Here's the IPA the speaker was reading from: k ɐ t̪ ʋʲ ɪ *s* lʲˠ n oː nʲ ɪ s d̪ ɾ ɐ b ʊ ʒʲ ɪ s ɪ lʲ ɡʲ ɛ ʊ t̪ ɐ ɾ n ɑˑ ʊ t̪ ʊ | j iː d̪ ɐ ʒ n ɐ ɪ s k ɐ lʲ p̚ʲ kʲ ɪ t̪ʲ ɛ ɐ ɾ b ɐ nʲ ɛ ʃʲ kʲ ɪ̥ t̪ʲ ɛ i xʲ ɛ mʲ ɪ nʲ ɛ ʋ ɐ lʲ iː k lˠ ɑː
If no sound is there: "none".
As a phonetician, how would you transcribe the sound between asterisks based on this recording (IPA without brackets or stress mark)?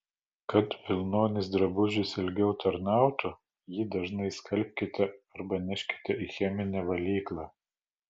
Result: none